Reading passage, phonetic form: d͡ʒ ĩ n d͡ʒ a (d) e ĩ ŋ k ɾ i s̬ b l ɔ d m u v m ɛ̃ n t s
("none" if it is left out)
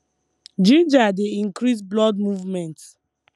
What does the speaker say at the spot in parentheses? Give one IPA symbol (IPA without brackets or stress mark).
d